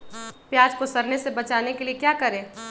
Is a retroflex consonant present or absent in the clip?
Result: absent